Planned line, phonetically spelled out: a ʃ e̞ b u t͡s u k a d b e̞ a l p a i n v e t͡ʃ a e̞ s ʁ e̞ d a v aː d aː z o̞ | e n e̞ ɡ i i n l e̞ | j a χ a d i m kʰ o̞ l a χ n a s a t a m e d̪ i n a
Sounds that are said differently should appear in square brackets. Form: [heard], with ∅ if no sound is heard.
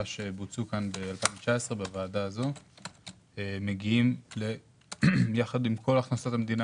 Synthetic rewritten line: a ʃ e̞ b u t͡s u k a [n] b e̞ a l p a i n v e t͡ʃ a e̞ s ʁ e̞ [b] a v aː d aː z o̞ | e [m] e̞ ɡ i i [m] l e̞ | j a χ a d i m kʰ o̞ l a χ n a s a t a m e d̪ i n a